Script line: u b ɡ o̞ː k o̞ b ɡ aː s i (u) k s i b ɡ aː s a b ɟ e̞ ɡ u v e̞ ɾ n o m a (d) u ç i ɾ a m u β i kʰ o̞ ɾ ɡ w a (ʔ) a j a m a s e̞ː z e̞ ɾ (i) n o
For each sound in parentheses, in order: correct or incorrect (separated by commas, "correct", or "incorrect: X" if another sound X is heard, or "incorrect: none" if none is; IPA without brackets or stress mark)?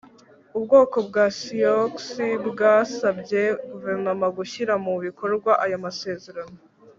incorrect: o, incorrect: ɡ, correct, incorrect: a